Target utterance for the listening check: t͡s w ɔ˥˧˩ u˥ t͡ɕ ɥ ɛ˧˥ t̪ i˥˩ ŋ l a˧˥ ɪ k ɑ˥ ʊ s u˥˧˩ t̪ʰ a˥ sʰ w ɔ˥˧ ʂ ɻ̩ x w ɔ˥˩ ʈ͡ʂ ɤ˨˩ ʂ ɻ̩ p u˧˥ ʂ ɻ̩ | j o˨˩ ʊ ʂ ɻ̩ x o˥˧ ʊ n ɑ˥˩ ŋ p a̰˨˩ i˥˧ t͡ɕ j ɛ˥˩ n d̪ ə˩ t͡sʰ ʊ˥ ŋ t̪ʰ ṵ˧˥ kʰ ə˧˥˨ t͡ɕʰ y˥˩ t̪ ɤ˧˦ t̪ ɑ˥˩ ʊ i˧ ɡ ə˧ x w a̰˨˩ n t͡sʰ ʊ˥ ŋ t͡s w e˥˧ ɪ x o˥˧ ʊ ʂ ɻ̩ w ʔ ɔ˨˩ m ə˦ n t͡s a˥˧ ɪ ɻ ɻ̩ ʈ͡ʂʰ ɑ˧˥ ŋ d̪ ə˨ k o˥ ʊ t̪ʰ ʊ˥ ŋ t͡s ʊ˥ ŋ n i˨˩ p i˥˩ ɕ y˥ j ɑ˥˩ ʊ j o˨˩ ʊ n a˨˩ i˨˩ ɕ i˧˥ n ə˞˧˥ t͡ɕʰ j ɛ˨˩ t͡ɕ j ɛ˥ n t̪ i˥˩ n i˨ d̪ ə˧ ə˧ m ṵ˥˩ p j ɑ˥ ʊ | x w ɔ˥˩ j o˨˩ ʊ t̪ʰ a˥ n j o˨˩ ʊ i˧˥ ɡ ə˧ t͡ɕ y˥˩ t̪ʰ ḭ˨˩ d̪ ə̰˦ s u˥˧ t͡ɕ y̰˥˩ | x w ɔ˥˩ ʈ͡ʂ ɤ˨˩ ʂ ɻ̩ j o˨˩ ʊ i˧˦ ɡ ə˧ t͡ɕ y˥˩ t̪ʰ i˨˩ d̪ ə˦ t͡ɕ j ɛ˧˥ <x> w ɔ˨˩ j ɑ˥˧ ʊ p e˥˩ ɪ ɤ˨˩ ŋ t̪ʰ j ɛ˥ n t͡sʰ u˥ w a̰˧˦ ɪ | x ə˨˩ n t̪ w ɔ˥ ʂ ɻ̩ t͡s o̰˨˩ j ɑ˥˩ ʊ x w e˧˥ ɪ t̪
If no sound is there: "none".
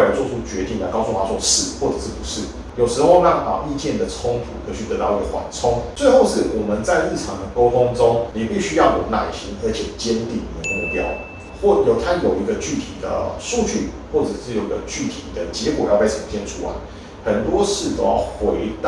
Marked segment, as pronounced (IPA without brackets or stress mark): k